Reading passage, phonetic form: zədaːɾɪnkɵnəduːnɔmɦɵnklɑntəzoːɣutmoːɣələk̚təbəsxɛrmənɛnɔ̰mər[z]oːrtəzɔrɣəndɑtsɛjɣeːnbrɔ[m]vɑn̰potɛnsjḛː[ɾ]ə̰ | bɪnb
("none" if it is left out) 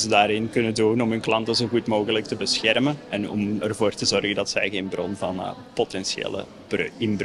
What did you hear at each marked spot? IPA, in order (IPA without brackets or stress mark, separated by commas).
v, n, l